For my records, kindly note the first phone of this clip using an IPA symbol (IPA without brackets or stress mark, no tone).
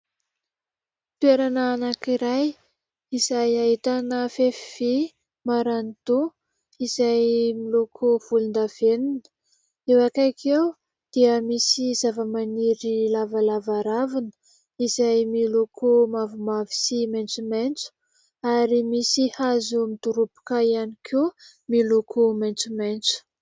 t̪